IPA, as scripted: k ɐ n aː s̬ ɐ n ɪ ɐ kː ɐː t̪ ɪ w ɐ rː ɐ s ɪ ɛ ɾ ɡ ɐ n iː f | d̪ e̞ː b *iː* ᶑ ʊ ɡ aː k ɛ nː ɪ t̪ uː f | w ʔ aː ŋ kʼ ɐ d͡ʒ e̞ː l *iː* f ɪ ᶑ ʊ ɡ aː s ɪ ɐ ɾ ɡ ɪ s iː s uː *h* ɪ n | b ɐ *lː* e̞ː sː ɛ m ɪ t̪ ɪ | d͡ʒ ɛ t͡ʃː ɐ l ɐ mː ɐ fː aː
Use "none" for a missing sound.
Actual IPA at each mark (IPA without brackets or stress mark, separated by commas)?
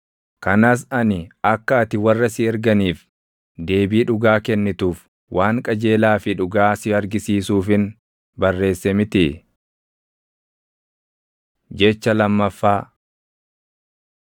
iː, aː, f, rː